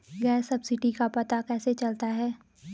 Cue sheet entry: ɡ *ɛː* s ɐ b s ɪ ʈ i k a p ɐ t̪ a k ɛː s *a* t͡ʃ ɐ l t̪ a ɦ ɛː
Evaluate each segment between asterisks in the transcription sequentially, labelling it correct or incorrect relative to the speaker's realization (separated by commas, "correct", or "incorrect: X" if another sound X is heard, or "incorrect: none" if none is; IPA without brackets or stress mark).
correct, incorrect: e